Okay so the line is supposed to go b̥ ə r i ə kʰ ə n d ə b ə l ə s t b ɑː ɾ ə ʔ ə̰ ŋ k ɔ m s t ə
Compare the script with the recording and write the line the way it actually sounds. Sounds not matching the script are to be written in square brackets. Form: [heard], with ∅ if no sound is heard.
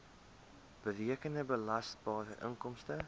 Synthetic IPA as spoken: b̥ ə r i ə [k] ə n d ə b ə l [ɐ] s t b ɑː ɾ ə ʔ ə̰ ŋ k ɔ m s t ə